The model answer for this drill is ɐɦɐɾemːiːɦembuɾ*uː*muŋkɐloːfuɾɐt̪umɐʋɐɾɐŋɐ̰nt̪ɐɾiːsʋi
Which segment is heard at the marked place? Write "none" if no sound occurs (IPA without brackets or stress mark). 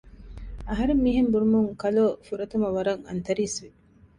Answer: u